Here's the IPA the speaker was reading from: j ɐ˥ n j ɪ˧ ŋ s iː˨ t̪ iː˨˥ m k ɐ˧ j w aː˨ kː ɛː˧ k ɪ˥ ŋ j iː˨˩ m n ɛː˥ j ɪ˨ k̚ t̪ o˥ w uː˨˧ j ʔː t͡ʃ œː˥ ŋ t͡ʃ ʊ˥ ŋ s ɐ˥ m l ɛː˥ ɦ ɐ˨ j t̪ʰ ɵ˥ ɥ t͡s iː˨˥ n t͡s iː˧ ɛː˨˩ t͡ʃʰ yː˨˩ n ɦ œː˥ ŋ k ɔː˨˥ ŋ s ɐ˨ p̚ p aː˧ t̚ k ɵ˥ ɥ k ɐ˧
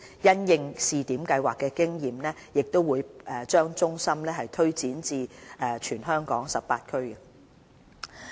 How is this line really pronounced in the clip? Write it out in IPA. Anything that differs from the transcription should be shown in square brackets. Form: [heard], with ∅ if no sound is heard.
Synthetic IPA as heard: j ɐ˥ n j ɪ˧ ŋ s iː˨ t̪ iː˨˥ m k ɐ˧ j w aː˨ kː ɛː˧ k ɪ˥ ŋ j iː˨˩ m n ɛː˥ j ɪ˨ k̚ t̪ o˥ w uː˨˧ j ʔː t͡ʃ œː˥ ŋ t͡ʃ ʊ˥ ŋ s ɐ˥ m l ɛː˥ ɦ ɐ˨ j t̪ʰ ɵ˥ ɥ t͡s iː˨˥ n t͡s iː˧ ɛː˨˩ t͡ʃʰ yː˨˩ n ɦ œː˥ ŋ k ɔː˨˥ ŋ s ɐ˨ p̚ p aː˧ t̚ [kʰ] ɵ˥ ɥ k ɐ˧